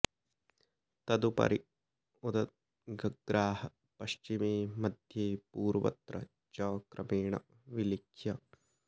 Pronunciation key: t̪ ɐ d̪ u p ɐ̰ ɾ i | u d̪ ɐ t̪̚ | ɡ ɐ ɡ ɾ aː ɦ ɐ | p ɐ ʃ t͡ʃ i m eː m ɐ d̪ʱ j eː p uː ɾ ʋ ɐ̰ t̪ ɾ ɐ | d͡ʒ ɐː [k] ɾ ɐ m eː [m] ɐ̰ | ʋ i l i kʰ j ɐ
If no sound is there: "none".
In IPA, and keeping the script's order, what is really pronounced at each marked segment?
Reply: k, ɳ

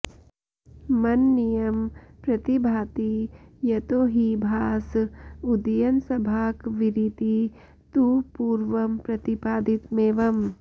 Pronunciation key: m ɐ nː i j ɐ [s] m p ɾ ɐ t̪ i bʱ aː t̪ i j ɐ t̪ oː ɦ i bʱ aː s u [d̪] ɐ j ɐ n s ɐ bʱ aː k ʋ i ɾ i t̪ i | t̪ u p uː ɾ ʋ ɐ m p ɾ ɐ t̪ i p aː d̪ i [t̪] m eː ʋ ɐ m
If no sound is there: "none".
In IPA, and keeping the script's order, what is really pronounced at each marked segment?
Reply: none, d̪, t̪

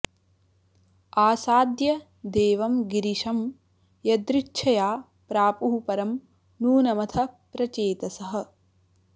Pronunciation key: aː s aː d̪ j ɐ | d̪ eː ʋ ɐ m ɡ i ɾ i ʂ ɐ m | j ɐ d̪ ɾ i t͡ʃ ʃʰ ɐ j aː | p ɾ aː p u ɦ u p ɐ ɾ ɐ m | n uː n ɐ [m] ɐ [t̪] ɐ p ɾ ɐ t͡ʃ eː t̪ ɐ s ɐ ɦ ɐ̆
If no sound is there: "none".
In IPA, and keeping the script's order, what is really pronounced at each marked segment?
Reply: m, t̪ʰ

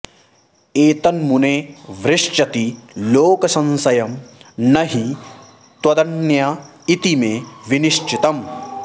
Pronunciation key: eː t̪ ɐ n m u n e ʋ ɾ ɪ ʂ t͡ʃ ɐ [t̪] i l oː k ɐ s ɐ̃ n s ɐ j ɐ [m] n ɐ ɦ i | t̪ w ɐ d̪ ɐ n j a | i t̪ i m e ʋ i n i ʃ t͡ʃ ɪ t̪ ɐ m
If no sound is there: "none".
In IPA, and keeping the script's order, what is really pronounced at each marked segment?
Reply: t̪, m

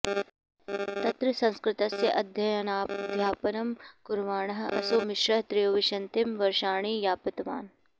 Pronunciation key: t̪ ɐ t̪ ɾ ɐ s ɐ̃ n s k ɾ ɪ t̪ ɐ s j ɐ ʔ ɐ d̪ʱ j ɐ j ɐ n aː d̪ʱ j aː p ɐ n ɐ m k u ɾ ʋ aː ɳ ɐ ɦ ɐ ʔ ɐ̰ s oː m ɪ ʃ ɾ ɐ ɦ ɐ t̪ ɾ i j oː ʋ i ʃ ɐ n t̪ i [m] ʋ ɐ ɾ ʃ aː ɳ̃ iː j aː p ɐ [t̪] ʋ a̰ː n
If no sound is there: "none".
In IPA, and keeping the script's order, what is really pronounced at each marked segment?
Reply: m, t̪

